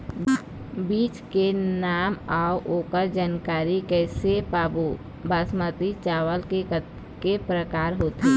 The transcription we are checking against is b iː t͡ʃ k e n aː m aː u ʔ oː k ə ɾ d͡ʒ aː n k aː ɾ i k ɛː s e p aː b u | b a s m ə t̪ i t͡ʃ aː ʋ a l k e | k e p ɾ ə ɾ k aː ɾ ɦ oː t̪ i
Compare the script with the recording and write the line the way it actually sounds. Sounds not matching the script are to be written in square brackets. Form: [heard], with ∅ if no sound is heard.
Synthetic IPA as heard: b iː t͡ʃ k e n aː m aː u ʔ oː k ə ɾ d͡ʒ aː n k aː ɾ i k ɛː s e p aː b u | b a s m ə t̪ i t͡ʃ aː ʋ [ə] l k e | k e p ɾ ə [∅] k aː ɾ ɦ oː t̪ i